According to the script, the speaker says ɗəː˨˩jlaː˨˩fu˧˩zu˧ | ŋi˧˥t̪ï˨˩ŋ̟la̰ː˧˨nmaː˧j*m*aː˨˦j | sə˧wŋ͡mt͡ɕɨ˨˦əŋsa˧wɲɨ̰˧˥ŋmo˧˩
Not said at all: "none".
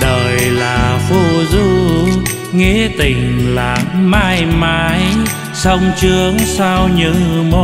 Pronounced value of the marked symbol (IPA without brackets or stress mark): m